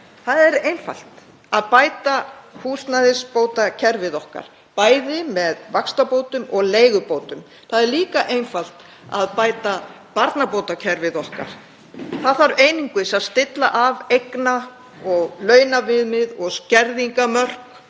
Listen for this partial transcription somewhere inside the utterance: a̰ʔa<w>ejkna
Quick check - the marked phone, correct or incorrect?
incorrect: v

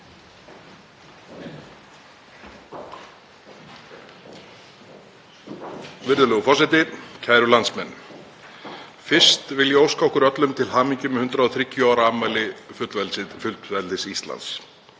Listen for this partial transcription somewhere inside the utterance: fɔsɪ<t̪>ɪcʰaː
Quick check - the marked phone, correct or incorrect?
correct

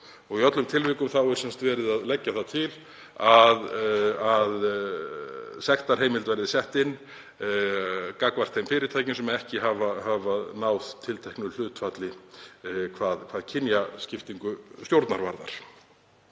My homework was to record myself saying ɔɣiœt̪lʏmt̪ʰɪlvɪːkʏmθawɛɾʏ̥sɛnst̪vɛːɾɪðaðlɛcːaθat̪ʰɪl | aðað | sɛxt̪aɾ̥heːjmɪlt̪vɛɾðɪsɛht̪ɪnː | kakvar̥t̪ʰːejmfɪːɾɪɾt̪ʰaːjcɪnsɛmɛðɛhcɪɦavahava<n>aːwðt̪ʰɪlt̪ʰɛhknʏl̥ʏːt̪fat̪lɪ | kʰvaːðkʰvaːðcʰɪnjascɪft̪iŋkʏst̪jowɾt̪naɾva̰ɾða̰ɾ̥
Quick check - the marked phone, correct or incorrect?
correct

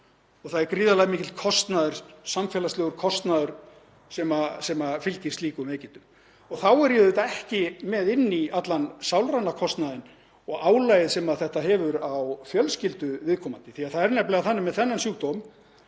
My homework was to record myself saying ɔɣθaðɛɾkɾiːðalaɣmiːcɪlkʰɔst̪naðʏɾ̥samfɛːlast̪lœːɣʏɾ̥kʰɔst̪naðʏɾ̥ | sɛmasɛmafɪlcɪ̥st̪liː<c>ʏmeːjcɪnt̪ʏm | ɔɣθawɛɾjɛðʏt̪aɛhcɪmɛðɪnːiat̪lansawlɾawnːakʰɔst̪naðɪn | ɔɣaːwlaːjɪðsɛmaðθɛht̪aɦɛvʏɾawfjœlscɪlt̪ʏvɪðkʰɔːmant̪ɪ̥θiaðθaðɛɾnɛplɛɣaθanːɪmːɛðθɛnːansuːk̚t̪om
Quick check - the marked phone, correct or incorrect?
incorrect: k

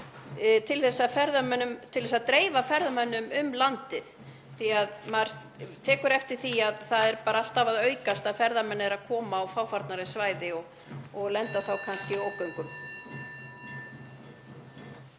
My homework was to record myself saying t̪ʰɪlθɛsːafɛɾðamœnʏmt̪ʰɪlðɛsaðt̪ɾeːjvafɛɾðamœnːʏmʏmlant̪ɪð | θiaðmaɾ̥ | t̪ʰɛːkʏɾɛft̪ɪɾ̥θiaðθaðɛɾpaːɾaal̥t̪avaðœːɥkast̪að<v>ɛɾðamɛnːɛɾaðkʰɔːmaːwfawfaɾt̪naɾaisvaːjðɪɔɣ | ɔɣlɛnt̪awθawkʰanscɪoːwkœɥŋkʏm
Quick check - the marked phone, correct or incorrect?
incorrect: f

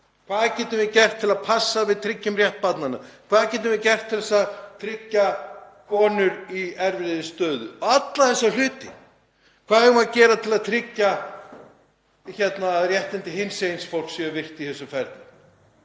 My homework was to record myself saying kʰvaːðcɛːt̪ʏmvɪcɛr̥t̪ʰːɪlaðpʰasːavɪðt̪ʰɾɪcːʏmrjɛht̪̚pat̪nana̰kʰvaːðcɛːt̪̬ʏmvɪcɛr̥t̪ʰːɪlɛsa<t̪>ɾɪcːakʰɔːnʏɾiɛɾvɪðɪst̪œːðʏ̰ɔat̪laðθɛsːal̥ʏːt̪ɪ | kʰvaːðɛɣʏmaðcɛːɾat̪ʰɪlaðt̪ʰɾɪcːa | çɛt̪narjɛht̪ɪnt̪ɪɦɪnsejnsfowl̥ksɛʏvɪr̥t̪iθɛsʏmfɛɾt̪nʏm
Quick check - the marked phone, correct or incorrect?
incorrect: t̪ʰ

